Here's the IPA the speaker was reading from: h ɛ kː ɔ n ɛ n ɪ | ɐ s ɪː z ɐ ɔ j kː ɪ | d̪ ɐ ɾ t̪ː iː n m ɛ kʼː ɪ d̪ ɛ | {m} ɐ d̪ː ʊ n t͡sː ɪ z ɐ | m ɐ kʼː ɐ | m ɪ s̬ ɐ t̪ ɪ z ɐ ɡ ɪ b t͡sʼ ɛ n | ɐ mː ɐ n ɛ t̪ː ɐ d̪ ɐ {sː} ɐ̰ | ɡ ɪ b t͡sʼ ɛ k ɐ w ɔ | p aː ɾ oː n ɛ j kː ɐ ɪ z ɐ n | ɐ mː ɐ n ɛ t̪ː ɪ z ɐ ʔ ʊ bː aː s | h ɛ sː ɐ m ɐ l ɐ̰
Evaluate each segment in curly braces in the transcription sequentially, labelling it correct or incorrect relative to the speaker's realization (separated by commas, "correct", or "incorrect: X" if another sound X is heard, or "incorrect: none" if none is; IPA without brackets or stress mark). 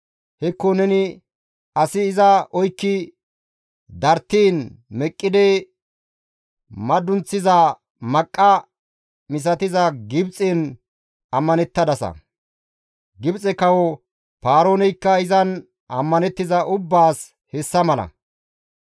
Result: correct, incorrect: s